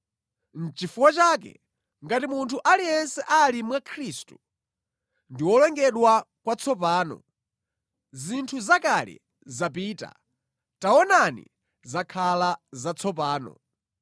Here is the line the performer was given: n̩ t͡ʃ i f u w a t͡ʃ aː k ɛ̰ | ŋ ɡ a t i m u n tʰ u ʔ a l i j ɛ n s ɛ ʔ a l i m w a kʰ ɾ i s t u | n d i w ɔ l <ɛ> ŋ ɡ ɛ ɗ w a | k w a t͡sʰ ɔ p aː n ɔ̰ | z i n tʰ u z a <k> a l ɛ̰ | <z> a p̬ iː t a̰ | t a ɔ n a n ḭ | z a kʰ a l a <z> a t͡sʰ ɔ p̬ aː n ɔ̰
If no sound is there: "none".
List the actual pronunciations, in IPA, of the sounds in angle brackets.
ɛ, k, z, z

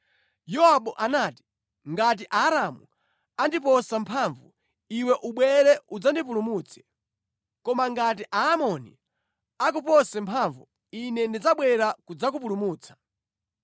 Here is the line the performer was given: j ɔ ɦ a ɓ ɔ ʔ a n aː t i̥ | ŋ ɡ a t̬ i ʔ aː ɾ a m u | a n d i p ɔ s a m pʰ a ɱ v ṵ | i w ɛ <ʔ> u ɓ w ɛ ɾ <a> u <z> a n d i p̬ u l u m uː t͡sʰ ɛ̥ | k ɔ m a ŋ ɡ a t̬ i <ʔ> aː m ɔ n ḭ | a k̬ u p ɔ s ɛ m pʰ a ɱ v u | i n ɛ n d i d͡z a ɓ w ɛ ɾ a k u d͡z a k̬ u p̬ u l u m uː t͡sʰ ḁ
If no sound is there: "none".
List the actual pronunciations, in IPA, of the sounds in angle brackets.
ʔ, ɛ, d͡z, ʔ

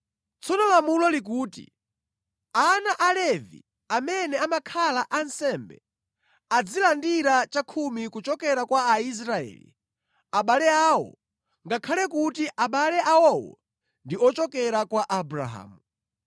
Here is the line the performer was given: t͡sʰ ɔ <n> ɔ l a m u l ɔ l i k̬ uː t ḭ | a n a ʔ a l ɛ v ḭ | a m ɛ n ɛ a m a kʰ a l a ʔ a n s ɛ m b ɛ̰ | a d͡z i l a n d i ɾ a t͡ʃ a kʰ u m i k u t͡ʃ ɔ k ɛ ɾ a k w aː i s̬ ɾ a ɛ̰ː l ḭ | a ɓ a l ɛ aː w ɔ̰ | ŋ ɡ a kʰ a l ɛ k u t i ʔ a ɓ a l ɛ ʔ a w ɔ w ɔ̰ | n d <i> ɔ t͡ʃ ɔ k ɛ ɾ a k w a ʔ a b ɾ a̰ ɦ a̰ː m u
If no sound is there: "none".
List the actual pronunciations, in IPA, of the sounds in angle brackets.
n, i

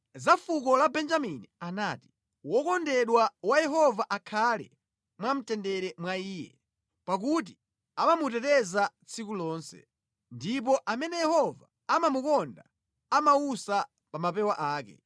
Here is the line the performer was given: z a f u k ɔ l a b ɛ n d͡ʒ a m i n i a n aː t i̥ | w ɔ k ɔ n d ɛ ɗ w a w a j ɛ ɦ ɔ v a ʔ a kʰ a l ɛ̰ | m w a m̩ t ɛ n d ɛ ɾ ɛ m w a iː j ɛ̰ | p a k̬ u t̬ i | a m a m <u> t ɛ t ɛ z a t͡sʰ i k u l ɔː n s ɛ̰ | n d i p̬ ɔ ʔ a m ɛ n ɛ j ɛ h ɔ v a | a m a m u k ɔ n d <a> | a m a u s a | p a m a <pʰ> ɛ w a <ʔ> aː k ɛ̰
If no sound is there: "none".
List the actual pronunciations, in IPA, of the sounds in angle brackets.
u, a, p, ʔ

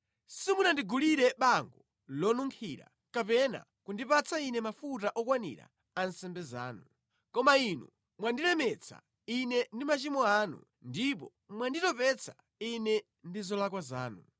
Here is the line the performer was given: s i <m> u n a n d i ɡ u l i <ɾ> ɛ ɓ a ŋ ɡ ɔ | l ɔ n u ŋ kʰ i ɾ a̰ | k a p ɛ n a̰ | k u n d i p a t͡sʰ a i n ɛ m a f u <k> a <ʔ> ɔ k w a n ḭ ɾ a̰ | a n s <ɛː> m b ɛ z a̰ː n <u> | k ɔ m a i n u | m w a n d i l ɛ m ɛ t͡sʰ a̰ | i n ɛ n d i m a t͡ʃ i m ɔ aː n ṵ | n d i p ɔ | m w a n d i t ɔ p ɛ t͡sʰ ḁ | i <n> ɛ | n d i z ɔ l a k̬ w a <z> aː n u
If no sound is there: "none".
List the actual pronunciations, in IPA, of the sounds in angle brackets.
m, ɾ, t, ʔ, ɛ, u, n, z

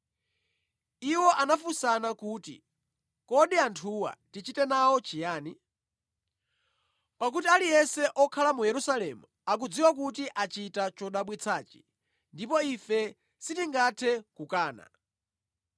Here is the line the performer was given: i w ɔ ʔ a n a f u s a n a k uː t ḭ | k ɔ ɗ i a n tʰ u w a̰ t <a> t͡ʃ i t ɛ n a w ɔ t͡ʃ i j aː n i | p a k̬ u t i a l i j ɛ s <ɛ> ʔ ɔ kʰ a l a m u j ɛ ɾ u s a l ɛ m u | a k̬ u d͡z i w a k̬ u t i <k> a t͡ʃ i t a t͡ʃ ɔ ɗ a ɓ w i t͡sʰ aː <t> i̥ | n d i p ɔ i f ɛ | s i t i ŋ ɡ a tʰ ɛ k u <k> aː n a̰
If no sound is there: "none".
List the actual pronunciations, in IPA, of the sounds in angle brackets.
i, ɛ, ʔ, t͡ʃ, k

